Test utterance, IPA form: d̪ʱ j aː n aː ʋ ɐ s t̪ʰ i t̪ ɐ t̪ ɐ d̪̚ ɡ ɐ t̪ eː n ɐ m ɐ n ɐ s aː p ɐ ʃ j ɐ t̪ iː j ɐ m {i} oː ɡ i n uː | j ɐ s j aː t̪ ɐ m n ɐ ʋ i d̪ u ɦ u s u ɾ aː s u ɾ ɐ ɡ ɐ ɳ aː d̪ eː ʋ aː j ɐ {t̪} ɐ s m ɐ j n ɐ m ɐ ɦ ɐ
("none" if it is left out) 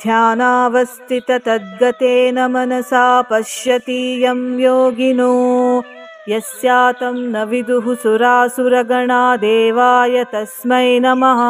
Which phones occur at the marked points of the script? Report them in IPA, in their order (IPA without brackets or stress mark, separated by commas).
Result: j, t̪